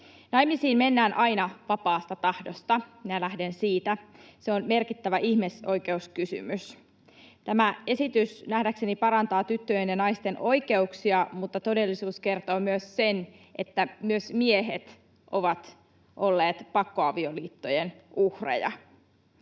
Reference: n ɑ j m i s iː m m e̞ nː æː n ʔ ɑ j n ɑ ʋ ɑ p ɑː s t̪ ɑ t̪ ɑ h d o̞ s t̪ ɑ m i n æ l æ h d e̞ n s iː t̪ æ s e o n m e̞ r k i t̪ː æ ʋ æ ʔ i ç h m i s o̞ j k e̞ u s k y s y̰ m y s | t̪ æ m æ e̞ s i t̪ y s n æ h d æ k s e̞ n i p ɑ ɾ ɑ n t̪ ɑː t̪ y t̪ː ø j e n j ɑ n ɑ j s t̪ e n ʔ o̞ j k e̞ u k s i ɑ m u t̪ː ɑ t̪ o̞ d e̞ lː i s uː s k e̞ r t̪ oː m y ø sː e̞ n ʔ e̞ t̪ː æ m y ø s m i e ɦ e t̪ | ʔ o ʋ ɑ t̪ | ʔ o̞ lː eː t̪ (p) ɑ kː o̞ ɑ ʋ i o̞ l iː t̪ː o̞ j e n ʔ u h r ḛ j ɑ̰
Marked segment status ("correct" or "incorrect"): correct